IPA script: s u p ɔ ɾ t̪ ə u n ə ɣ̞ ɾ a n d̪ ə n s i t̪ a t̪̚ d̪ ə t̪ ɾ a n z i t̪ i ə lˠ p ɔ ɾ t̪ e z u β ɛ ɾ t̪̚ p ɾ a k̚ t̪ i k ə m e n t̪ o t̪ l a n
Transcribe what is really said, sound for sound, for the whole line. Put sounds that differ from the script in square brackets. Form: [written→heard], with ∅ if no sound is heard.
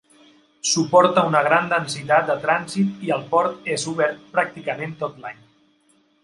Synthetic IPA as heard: s u p ɔ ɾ t̪ ə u n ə ɣ̞ ɾ a n d̪ ə n s i t̪ a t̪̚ d̪ ə t̪ ɾ a n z i t̪ i ə lˠ p ɔ ɾ t̪ e z u β ɛ ɾ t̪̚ p ɾ a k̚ t̪ i k ə m e n t̪ o t̪ l a [n→ɲ]